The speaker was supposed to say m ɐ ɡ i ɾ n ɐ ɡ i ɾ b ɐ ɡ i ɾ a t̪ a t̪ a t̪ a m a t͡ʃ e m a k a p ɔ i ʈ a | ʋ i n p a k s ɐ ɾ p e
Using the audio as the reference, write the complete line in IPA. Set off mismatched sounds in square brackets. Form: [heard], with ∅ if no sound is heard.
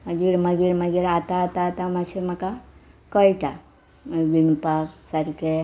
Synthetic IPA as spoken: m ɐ ɡ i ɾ [m] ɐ ɡ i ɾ [m] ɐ ɡ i ɾ a t̪ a t̪ a t̪ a m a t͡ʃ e m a k a [k] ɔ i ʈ a | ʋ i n p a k s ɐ ɾ [k] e